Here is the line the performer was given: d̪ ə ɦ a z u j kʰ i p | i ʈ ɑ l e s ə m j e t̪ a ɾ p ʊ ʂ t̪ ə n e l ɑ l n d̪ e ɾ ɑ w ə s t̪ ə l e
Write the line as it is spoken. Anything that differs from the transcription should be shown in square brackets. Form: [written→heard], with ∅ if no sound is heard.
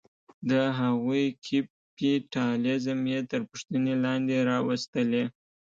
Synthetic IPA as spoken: d̪ ə ɦ a [z→ɣ] u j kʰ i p | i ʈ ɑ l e [s→z] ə m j e t̪ [a→ə] ɾ p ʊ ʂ t̪ ə n e l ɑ [l→∅] n d̪ e ɾ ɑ w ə s t̪ ə l e